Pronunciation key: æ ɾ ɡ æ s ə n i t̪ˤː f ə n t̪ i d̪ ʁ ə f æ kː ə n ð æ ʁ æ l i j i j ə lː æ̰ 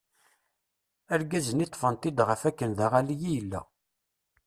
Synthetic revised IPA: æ ɾ ɡ æ z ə n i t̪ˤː f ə n t̪ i d̪ ʁ ə f æ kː ə n ð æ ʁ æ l i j i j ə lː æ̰